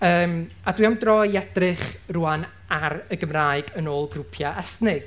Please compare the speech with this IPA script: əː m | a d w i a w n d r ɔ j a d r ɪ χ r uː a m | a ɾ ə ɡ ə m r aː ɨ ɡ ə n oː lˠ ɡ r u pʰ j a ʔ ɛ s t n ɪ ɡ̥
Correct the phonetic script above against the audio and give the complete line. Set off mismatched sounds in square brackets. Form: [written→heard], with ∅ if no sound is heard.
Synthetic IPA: əː m | a d w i a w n d r ɔ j [a→ɛ] d r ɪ χ r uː a [m→n] | a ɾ ə ɡ ə m r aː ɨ ɡ ə n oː lˠ ɡ r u pʰ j a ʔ ɛ s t n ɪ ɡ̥